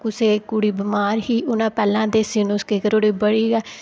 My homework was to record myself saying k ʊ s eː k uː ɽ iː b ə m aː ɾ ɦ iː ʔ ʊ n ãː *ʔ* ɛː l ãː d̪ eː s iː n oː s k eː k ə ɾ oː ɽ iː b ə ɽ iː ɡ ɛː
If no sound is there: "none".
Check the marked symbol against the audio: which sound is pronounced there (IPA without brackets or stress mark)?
p